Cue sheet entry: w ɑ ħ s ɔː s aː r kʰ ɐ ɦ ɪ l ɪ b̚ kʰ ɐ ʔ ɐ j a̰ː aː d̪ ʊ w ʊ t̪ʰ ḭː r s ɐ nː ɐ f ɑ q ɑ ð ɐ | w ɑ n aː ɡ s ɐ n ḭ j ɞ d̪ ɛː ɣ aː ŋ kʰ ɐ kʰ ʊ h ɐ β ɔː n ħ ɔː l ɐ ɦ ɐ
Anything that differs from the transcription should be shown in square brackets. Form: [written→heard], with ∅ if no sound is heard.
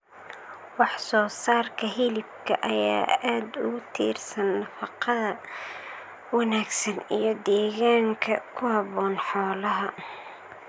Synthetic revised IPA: w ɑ ħ s ɔː s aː r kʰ ɐ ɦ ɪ l ɪ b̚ kʰ ɐ ʔ ɐ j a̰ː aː d̪ ʊ [w→ɣ] ʊ t̪ʰ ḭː r s ɐ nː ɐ f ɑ q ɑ ð ɐ | w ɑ n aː ɡ s ɐ n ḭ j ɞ d̪ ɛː ɣ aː ŋ kʰ ɐ kʰ ʊ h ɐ β ɔː n ħ ɔː l ɐ ɦ ɐ